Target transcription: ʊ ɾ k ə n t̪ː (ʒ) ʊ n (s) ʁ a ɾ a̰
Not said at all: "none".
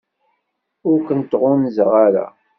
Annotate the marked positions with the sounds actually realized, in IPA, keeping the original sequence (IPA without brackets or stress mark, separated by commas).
ʁ, z